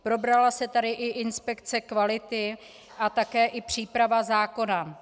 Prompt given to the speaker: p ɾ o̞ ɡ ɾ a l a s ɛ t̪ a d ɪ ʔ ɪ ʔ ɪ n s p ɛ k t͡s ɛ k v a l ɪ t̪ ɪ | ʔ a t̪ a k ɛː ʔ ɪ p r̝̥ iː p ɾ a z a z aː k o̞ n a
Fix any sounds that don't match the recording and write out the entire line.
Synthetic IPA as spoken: p ɾ o̞ b ɾ a l a s ɛ t̪ a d ɪ ʔ ɪ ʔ ɪ n s p ɛ k t͡s ɛ k v a l ɪ t̪ ɪ | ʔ a t̪ a k ɛː ʔ ɪ p r̝̥ iː p ɾ a v a z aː k o̞ n a